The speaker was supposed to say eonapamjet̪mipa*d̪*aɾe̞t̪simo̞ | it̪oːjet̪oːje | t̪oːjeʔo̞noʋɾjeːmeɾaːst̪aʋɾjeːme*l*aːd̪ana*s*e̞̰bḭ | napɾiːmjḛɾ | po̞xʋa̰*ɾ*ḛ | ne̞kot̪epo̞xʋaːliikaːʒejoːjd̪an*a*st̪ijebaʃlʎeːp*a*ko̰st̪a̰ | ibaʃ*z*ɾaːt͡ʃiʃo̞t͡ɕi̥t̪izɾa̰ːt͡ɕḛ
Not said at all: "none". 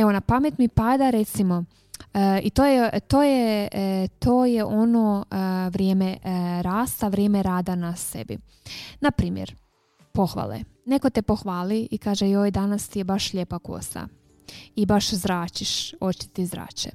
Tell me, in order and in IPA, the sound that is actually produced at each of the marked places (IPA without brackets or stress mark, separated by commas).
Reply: d̪, ɾ, s, l, a, a, z